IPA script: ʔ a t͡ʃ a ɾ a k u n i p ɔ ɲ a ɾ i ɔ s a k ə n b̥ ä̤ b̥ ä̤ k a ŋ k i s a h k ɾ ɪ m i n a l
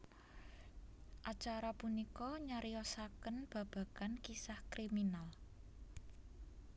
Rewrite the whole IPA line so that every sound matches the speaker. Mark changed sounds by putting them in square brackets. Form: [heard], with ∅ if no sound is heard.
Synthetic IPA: ʔ a t͡ʃ a ɾ a [p] u n i [k] ɔ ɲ a ɾ i ɔ s a k ə n b̥ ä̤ b̥ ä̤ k a [n] k i s a h k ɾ [i] m i n a l